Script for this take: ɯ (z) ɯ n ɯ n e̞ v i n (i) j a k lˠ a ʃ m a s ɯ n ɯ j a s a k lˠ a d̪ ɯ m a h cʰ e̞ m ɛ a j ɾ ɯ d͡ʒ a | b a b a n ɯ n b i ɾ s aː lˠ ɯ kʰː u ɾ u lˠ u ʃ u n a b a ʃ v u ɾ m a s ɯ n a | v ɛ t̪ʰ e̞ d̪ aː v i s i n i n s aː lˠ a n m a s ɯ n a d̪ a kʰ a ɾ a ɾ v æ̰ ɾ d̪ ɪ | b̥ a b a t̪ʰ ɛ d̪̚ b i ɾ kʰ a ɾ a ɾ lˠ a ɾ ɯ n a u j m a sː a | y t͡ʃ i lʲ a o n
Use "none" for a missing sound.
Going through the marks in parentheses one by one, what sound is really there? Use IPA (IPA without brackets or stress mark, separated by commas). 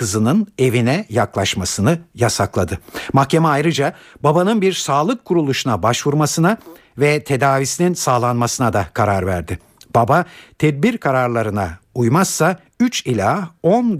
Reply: z, ɛ